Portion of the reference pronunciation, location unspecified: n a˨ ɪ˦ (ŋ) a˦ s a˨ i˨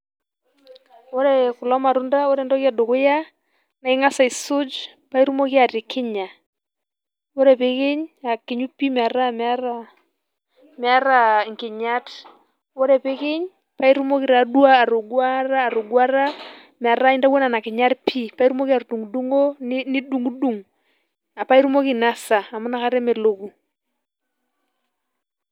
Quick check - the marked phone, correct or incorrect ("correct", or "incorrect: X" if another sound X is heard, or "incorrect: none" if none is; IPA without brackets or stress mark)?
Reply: correct